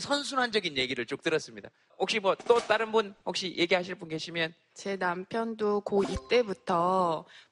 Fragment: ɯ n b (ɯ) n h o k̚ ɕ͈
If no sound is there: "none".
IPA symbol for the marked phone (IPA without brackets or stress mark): u